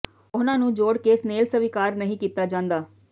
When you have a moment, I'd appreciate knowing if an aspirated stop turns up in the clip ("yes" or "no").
no